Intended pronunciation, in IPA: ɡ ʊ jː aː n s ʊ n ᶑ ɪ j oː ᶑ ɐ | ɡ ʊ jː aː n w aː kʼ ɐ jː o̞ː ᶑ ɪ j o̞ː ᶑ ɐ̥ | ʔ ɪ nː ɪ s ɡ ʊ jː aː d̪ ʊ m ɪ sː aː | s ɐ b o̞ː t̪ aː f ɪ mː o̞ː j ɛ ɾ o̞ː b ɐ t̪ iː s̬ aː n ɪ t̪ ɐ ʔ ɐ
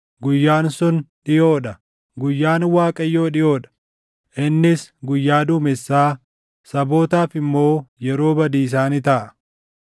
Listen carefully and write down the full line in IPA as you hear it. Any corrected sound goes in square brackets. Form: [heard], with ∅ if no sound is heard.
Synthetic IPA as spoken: ɡ ʊ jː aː n s ʊ n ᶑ ɪ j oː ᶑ ɐ | ɡ ʊ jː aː n w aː kʼ ɐ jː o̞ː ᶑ ɪ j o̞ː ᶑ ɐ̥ | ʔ ɪ nː ɪ s ɡ ʊ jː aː d̪ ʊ m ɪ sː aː | s ɐ b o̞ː t̪ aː f ɪ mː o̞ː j ɛ ɾ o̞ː b ɐ [d̪] iː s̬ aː n ɪ t̪ ɐ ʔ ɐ

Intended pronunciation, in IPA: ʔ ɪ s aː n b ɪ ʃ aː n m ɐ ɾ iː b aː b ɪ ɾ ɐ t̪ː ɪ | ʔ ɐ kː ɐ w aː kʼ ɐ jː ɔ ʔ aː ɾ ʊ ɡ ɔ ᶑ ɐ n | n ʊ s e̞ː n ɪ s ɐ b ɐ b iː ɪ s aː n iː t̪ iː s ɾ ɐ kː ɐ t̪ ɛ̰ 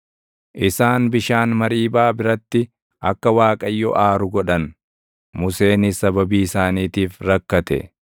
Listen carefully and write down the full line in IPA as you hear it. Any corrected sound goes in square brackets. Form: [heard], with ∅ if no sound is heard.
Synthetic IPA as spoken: ʔ ɪ s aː n b ɪ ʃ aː n m ɐ ɾ iː b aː b ɪ ɾ ɐ t̪ː ɪ | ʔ ɐ kː ɐ w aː kʼ ɐ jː ɔ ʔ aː ɾ ʊ ɡ ɔ ᶑ ɐ n | [m] ʊ s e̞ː n ɪ s ɐ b ɐ b iː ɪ s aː n iː t̪ iː [f] ɾ ɐ kː ɐ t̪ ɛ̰

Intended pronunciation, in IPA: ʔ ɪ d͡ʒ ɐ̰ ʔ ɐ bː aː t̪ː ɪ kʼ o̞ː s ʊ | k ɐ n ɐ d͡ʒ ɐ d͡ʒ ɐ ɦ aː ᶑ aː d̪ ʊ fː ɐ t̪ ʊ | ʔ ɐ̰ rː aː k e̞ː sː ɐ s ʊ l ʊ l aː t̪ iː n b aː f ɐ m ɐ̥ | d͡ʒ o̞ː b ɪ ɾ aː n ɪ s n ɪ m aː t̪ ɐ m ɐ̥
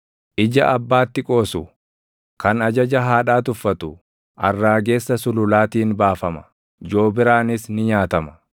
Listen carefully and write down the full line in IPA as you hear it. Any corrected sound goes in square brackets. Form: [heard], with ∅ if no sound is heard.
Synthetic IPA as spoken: ʔ ɪ d͡ʒ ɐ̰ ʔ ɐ bː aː t̪ː ɪ kʼ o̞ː s ʊ | k ɐ n ɐ d͡ʒ ɐ d͡ʒ ɐ ɦ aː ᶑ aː [t̪] ʊ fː ɐ t̪ ʊ | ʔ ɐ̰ rː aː [ɡ] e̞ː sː ɐ s ʊ l ʊ l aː t̪ iː n b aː f ɐ m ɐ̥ | d͡ʒ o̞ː b ɪ ɾ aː n ɪ s n ɪ [ɲ] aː t̪ ɐ m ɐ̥

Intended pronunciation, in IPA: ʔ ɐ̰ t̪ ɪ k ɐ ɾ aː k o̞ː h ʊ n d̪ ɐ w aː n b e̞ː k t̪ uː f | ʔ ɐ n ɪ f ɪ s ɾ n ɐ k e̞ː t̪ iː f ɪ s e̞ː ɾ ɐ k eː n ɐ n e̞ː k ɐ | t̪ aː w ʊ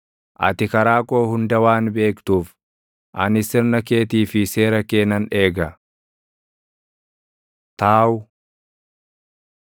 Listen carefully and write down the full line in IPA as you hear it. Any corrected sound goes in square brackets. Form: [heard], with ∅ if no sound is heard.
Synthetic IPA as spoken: ʔ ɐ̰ t̪ ɪ k ɐ ɾ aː k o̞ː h ʊ n d̪ ɐ w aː n b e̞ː k t̪ uː f | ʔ ɐ n ɪ [s] ɪ [∅] ɾ n ɐ k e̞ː t̪ iː f ɪ s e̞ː ɾ ɐ k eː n ɐ n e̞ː [ɡ] ɐ | t̪ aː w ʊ

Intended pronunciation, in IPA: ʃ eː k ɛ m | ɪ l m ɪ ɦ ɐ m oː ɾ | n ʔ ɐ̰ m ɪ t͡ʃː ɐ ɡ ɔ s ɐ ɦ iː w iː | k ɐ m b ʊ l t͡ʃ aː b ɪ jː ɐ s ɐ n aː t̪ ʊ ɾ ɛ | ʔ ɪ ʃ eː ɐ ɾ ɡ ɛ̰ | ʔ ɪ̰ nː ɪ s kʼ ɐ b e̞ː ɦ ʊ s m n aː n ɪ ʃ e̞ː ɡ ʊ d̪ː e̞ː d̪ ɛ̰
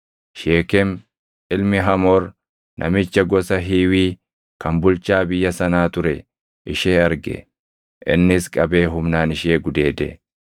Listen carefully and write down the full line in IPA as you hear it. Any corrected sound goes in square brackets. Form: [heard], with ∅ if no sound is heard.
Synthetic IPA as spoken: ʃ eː k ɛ m | ɪ l m ɪ ɦ ɐ m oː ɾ | n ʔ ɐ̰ m ɪ t͡ʃː ɐ ɡ ɔ s ɐ ɦ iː w iː | k ɐ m b ʊ l t͡ʃ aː b ɪ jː ɐ s ɐ n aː t̪ ʊ ɾ ɛ | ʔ ɪ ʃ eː ɐ ɾ ɡ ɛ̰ | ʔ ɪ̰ nː ɪ s kʼ ɐ b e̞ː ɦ ʊ [∅] m n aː n ɪ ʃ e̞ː ɡ ʊ [d̪] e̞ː d̪ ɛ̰

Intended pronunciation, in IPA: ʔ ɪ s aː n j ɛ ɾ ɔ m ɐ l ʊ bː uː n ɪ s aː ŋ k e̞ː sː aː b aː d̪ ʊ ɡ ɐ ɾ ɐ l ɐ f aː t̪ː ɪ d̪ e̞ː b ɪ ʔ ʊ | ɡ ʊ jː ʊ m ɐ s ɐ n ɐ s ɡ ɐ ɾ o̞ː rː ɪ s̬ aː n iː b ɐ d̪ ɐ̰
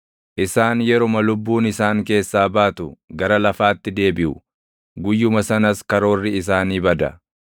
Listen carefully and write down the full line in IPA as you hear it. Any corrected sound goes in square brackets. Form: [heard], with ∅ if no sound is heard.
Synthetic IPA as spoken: ʔ ɪ s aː n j ɛ ɾ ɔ m ɐ l ʊ bː uː n ɪ s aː ŋ k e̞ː sː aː b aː [t̪] ʊ ɡ ɐ ɾ ɐ l ɐ f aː t̪ː ɪ d̪ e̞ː b ɪ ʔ ʊ | ɡ ʊ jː ʊ m ɐ s ɐ n ɐ s [k] ɐ ɾ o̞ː rː ɪ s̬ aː n iː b ɐ d̪ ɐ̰

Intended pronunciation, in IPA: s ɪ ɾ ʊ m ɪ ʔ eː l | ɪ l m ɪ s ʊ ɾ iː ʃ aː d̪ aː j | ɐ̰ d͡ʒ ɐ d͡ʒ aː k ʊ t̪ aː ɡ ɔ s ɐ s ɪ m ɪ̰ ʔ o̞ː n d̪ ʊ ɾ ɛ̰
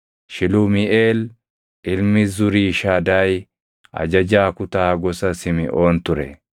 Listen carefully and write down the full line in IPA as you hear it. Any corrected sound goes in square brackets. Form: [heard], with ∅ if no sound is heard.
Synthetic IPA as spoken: [ʃ] ɪ [l] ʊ m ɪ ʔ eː l | ɪ l m ɪ [z] ʊ ɾ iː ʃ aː d̪ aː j | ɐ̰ d͡ʒ ɐ d͡ʒ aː k ʊ t̪ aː ɡ ɔ s ɐ s ɪ m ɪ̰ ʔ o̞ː n [t̪] ʊ ɾ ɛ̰

